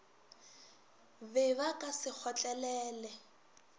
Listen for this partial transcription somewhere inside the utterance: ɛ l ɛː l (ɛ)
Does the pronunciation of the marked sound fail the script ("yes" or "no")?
no